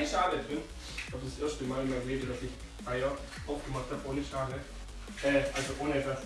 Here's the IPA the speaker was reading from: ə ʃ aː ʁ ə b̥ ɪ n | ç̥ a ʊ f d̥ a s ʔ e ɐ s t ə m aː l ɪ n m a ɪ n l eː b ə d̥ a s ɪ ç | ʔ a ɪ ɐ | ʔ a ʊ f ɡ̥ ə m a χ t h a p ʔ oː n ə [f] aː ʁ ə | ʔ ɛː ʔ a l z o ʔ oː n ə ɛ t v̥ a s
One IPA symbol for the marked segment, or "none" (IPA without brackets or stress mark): ʃ